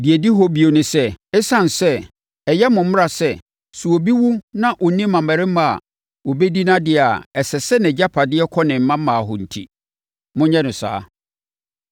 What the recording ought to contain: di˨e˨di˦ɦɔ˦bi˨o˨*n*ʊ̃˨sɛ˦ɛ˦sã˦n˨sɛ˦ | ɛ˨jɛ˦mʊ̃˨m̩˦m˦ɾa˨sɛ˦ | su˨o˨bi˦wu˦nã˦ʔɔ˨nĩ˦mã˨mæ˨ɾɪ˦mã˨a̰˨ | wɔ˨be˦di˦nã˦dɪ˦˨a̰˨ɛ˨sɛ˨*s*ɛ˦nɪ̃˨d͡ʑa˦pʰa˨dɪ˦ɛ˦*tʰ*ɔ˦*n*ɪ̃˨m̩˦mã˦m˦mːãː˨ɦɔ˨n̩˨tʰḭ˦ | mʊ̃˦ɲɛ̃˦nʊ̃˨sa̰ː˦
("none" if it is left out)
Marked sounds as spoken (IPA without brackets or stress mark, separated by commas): n, s, kʰ, n